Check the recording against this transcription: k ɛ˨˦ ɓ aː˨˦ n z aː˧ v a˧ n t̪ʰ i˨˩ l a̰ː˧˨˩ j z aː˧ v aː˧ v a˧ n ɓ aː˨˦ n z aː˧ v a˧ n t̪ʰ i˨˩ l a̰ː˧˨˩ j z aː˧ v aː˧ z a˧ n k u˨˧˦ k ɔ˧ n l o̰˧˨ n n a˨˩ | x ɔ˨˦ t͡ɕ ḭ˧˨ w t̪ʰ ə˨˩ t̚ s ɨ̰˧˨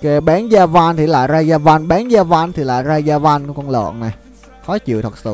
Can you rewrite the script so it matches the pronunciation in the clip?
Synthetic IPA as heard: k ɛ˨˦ ɓ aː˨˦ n z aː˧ v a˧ n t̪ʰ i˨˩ l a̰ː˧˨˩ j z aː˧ z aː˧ v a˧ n ɓ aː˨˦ n z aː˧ v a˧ n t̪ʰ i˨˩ l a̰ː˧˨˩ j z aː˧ z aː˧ v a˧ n k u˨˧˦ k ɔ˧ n l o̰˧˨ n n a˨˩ | x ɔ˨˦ t͡ɕ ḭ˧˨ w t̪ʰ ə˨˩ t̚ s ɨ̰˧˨